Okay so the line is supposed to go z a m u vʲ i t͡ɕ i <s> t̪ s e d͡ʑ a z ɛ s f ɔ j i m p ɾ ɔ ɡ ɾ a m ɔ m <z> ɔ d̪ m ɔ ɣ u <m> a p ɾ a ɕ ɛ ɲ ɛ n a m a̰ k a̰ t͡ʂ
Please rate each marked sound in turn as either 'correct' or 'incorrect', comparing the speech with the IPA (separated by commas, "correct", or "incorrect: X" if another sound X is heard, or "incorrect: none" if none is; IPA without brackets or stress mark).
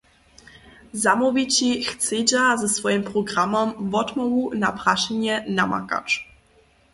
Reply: incorrect: x, incorrect: v, incorrect: n